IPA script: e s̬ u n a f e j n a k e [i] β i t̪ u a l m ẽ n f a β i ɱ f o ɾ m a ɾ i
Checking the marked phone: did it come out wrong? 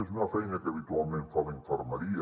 yes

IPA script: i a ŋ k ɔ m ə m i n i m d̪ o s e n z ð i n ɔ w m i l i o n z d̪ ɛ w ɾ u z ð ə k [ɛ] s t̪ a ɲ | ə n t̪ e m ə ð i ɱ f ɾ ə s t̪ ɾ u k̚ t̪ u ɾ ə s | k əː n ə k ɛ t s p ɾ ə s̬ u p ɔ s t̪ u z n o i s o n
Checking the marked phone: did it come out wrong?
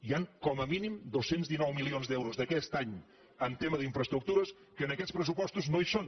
no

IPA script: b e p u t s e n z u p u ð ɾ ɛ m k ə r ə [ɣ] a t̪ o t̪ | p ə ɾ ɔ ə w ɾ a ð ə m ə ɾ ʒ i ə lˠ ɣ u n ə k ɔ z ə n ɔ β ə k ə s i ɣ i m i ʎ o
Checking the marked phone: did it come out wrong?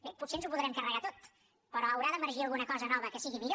no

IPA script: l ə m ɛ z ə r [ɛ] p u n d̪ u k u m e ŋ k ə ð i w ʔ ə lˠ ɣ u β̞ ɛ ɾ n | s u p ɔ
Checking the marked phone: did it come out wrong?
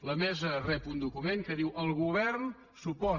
no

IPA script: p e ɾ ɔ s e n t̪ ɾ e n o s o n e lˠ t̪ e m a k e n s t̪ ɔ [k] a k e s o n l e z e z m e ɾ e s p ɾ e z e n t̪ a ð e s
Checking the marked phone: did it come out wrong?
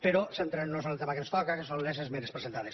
no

